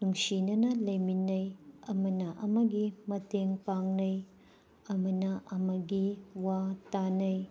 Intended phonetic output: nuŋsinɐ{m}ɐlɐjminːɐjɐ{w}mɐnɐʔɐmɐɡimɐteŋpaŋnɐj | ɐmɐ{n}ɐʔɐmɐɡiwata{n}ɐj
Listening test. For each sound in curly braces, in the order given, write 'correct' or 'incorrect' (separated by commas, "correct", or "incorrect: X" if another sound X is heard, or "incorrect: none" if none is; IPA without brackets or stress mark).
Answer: incorrect: n, incorrect: none, correct, correct